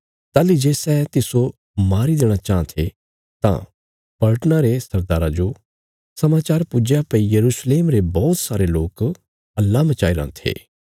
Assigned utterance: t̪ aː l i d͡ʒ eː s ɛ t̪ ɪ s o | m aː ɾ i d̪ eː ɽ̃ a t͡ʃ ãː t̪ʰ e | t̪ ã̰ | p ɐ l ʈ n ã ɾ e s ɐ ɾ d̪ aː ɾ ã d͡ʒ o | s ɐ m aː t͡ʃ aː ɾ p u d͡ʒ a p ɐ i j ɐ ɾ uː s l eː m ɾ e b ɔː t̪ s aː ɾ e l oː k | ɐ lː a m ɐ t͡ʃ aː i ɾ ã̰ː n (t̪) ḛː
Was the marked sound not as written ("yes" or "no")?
yes